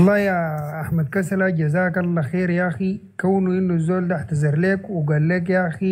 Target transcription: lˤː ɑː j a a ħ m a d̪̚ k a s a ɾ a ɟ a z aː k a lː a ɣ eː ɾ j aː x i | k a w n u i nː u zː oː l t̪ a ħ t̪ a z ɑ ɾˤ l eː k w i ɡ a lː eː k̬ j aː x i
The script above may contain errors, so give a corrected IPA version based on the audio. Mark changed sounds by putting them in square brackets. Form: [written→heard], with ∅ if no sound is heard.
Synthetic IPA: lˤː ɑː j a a ħ m a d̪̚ k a s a [ɾ→l] a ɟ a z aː k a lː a [ɣ→x] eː ɾ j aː x i | k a w n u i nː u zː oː l [t̪→d̪] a ħ t̪ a z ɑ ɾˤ l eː k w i ɡ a lː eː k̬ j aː x i